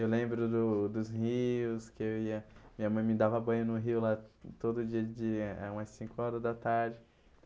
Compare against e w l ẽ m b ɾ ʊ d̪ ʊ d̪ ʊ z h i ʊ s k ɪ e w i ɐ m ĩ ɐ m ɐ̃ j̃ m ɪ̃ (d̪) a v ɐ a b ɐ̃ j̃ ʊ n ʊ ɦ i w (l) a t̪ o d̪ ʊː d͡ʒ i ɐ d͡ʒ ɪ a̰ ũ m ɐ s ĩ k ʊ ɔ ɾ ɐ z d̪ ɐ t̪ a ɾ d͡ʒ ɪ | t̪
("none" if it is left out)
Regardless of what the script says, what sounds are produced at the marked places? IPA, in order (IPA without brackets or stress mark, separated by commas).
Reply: d̪, l